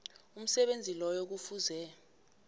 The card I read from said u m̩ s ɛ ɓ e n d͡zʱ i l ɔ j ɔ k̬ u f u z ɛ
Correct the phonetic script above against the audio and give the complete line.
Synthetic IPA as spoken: u m̩ s ɛ ɓ e n d͡zʱ i l ɔ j o k̬ u f u z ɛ